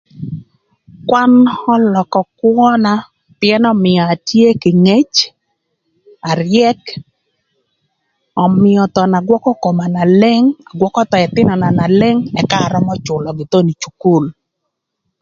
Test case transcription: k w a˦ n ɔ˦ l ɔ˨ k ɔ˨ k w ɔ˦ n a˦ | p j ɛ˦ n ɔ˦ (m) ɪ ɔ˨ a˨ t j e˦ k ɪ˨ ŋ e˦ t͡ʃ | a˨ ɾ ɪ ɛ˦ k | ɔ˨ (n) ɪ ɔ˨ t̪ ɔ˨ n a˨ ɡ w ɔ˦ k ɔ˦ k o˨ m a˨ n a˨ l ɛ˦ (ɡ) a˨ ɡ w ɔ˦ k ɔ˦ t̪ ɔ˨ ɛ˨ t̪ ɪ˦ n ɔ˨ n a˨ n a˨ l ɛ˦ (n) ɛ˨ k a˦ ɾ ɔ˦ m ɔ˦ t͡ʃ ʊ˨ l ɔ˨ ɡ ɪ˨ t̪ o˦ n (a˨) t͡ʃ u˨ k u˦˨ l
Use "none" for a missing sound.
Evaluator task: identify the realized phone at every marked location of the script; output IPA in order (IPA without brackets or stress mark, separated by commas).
m, m, ŋ, ŋ, i˨